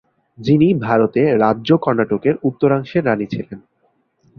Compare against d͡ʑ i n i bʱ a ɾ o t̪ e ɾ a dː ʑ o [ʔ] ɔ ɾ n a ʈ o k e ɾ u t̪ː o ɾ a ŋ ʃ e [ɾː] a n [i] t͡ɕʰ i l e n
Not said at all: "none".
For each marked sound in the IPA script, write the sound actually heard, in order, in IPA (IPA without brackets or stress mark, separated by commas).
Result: k, ɾː, i